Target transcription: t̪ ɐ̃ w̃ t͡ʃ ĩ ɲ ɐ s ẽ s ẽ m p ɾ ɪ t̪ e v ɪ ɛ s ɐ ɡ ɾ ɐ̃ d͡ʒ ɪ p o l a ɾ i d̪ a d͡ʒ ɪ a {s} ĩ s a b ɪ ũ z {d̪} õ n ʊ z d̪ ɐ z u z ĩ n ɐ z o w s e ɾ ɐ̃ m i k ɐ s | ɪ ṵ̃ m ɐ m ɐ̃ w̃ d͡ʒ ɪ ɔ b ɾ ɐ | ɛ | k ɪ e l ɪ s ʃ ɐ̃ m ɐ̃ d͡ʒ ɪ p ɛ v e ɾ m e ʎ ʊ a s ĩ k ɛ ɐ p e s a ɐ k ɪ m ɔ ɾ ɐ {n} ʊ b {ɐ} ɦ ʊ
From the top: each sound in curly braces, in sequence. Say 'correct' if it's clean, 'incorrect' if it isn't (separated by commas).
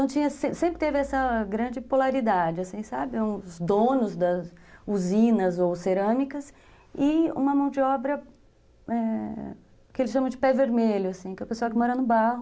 correct, correct, correct, incorrect